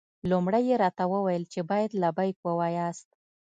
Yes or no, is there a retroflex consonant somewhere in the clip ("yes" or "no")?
yes